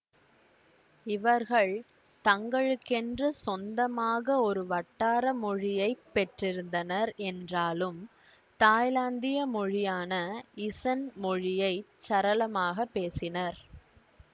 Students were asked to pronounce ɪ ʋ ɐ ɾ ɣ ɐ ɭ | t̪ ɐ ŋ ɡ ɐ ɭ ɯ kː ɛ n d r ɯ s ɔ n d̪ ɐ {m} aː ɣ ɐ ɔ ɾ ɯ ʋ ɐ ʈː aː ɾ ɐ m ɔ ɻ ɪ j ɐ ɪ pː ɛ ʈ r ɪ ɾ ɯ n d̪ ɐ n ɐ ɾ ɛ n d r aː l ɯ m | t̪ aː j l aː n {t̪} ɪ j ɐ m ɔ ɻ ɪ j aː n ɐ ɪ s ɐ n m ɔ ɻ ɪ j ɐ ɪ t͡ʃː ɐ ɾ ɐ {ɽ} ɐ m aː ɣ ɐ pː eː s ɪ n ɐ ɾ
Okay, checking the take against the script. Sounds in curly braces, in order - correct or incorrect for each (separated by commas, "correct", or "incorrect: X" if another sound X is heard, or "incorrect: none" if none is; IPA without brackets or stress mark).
correct, incorrect: d̪, incorrect: l